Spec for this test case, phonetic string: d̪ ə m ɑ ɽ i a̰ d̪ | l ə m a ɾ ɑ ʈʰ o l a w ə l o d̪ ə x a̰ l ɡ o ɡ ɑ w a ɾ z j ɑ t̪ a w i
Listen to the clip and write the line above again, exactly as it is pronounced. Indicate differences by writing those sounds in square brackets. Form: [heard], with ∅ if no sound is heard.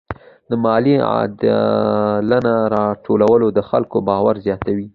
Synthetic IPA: d̪ ə m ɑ [l] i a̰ d̪ | l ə [n] a ɾ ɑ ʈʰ o l a w ə l o d̪ ə x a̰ l [k] o [b] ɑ w a ɾ z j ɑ t̪ a w i